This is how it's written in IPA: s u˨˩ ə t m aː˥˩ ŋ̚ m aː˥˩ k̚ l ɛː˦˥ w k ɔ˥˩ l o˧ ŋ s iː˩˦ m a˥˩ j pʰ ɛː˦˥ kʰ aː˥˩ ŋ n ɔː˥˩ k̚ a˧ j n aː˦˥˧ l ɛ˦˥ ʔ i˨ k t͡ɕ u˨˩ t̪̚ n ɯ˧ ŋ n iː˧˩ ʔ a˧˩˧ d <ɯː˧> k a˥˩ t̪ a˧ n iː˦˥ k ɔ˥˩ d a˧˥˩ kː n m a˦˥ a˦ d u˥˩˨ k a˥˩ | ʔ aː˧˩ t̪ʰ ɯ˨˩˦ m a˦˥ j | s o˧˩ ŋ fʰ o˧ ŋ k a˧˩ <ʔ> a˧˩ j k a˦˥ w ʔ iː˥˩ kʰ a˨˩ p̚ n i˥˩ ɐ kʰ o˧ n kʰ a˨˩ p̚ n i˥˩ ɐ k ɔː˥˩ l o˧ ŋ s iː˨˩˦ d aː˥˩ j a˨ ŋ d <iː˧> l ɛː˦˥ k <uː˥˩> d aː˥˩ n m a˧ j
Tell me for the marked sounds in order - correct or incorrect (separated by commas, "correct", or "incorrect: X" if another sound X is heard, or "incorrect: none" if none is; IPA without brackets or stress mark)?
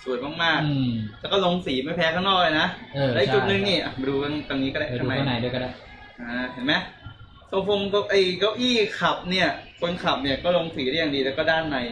incorrect: uː˧, correct, correct, incorrect: ɔː˥˩